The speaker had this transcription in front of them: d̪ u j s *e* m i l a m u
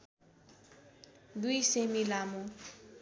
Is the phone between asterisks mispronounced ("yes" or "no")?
no